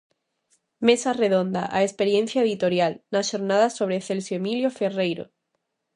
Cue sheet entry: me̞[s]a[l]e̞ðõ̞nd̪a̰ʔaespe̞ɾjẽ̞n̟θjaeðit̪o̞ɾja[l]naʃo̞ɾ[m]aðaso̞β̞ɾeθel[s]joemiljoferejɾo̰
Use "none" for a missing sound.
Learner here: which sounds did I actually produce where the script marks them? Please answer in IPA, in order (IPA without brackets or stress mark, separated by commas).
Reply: s, r, l, n, s